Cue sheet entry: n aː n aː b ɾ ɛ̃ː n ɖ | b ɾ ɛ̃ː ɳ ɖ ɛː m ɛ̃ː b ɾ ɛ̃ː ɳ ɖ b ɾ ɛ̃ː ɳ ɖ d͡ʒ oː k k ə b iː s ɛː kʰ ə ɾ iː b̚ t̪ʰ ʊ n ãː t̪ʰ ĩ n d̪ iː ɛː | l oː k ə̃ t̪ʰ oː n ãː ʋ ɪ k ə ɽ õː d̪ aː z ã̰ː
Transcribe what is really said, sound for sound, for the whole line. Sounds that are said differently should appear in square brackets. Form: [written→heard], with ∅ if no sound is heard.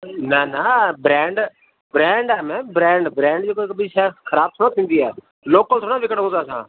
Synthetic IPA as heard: n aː n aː b ɾ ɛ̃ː [n→ɳ] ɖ | b ɾ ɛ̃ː ɳ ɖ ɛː m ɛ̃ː b ɾ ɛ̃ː ɳ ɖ b ɾ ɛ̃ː ɳ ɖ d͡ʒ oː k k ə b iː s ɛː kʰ ə ɾ [iː→aː] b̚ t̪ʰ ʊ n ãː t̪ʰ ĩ n d̪ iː ɛː | l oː k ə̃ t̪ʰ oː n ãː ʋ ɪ k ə ɽ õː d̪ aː [z→s] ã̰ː